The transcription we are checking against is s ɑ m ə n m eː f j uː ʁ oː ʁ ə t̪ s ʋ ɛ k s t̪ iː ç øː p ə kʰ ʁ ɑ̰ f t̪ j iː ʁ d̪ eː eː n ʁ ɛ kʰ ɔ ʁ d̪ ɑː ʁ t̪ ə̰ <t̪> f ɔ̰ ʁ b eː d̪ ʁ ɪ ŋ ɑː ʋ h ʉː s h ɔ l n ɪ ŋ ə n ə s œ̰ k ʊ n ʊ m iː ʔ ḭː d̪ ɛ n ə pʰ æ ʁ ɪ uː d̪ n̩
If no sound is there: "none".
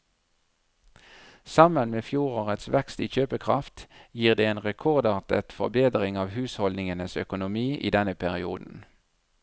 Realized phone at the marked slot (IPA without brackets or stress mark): t̪